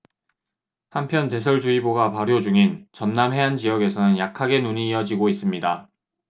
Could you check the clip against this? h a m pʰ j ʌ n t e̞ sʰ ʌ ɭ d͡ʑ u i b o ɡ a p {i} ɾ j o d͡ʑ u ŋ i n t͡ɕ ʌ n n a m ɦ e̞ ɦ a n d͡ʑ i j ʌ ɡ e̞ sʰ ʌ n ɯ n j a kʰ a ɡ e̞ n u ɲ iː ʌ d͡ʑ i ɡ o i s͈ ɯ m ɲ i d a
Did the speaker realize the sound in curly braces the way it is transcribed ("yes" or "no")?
no